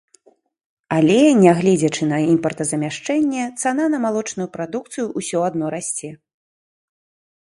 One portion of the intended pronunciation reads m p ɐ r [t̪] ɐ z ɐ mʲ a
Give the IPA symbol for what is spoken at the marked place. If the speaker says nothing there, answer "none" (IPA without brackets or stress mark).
t̪